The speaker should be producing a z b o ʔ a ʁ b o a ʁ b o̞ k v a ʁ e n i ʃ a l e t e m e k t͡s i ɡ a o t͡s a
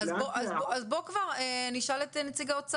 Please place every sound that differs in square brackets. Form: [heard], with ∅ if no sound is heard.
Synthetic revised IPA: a z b o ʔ a [z] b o a [z] b o̞ k v a ʁ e n i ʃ a l e t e [n] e [∅] t͡s i ɡ a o t͡s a